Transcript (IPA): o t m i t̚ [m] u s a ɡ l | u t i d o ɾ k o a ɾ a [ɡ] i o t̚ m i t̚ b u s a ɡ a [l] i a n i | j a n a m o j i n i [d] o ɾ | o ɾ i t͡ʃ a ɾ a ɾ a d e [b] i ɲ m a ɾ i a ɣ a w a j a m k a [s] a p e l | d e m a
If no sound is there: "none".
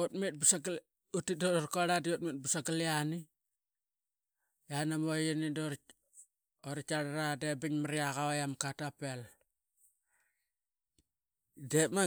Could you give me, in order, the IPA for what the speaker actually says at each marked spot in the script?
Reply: b, d, l, d, b, t

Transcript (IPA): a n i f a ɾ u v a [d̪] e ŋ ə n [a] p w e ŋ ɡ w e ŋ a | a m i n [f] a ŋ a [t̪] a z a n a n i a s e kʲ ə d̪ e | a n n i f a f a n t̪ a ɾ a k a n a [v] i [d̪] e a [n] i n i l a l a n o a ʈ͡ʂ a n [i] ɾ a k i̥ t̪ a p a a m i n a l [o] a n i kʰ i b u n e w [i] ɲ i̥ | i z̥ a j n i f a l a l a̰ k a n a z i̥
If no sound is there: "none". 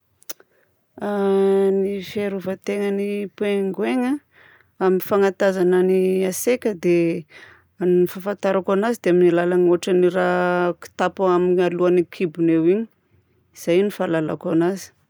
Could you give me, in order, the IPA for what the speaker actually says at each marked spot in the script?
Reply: t̪, i, f, t̪, z, d̪, m, i, u, i

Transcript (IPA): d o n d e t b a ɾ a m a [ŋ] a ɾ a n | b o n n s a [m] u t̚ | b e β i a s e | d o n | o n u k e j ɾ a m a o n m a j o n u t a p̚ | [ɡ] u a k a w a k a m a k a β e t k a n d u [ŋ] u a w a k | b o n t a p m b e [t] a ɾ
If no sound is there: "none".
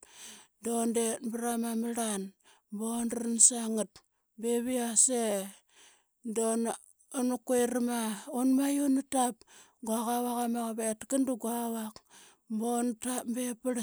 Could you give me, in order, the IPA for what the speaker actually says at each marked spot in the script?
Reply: m, ŋ, ɡ, ɡ, p

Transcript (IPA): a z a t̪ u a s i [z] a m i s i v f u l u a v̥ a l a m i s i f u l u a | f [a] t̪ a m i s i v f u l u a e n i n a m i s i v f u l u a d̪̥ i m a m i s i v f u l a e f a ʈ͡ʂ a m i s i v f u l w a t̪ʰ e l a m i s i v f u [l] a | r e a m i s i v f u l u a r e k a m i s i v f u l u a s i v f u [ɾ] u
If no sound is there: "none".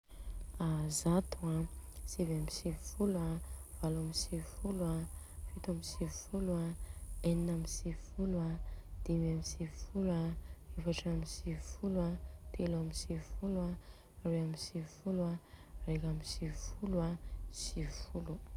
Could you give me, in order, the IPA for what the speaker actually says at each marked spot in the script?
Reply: v, i, l, l

